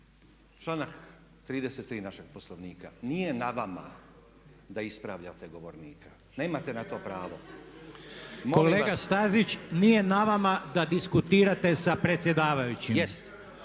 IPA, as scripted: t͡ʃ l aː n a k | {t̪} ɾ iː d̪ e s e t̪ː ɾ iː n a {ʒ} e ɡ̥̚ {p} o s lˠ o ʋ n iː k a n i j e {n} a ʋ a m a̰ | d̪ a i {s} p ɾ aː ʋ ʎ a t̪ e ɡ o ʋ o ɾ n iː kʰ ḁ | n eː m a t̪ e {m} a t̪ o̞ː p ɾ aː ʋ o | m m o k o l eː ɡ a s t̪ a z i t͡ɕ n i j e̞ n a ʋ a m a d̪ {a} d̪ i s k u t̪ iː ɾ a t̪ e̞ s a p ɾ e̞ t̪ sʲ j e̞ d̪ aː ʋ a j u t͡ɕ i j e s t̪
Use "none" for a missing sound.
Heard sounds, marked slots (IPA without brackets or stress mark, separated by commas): t̪, ʃ, p, n, s, n, a